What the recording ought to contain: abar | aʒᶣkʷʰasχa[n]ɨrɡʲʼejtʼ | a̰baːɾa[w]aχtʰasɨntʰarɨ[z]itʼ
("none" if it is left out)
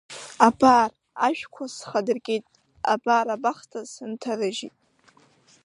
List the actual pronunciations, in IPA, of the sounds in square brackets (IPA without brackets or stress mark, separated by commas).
d, b, ʒ